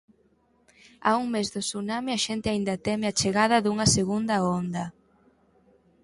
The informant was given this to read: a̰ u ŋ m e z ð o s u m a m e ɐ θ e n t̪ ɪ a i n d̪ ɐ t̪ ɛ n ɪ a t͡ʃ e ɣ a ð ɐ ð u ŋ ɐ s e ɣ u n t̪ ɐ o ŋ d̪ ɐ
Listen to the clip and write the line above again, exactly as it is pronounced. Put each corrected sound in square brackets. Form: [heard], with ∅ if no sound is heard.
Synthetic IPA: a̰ u ŋ m e z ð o s u [n] a m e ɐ [ʃ] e n t̪ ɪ a i n d̪ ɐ t̪ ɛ [m] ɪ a t͡ʃ e ɣ a ð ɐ ð u ŋ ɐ s e ɣ u n [d̪] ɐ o [n] d̪ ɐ